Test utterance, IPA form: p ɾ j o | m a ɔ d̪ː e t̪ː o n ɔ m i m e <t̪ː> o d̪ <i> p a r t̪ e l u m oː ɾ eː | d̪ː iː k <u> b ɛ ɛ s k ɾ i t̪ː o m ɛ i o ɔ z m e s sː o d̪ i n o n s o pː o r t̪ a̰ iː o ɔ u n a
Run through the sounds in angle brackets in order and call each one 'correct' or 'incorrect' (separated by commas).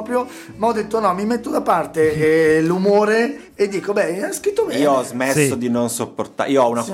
correct, incorrect, incorrect